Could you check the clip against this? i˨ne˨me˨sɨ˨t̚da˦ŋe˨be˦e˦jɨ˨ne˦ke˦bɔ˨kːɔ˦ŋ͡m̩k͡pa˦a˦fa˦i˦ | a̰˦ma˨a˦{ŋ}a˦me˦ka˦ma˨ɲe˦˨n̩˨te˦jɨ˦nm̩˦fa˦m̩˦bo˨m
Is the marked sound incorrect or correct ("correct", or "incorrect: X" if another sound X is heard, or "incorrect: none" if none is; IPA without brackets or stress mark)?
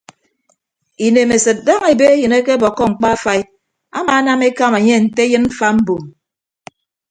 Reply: incorrect: n